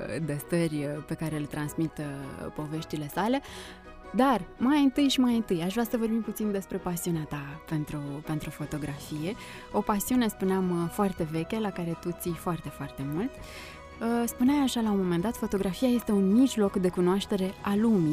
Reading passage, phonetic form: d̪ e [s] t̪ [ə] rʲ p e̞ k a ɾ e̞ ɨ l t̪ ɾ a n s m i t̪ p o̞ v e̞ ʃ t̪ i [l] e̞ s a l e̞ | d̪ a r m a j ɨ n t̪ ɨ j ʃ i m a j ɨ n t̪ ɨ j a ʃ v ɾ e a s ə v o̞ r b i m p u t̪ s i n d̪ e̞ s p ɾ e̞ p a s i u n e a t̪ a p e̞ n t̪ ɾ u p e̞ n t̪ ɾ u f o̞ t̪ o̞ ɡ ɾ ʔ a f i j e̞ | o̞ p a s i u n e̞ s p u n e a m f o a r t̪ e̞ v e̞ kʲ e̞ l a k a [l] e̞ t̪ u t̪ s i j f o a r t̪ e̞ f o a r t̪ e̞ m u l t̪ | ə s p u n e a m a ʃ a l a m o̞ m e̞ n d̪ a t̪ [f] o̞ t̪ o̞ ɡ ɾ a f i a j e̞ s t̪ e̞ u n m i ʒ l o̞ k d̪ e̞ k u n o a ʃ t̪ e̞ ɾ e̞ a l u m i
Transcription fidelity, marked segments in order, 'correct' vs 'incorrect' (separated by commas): correct, correct, correct, incorrect, correct